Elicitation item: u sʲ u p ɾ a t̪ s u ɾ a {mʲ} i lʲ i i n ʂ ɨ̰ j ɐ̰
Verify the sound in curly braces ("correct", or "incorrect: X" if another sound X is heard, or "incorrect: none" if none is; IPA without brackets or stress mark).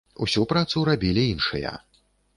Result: incorrect: bʲ